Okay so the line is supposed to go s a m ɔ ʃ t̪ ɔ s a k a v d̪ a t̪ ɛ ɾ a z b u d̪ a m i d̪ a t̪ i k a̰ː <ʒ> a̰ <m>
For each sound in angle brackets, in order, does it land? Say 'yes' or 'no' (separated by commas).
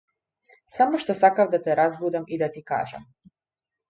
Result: yes, yes